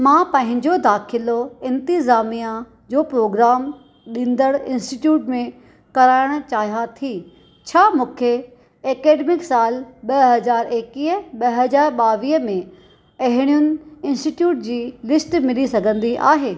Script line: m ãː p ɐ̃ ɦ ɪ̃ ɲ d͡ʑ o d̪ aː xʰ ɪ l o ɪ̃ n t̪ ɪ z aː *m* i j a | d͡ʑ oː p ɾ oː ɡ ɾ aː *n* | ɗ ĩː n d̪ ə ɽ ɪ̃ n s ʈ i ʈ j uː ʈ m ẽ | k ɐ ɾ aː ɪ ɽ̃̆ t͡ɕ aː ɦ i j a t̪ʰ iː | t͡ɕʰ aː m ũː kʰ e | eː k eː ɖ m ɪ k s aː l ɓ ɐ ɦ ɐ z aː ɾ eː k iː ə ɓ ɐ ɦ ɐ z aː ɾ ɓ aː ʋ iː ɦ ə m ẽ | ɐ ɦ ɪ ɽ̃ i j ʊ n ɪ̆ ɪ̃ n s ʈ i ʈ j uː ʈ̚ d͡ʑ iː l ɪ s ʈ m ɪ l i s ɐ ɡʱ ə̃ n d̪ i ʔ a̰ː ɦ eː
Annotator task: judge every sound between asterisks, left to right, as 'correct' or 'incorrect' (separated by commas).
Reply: correct, incorrect